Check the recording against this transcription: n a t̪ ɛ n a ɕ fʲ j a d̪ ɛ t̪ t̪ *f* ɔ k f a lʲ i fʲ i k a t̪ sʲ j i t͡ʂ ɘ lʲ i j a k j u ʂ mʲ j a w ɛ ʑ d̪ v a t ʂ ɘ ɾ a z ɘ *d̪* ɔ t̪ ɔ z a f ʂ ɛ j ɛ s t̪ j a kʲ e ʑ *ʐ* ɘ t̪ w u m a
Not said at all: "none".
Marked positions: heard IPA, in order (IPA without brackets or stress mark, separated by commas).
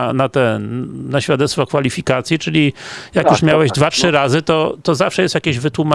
f, t̪, v